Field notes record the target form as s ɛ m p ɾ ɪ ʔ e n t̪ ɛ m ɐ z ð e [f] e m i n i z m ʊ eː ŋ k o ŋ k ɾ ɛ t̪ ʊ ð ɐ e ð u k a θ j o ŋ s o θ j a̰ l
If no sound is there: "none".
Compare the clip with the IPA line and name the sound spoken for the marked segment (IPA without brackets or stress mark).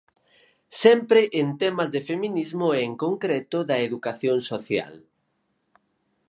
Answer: f